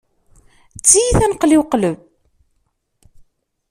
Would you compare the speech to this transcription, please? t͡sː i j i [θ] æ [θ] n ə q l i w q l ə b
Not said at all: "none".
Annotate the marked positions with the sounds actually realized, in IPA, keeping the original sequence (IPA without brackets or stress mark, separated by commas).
θ, none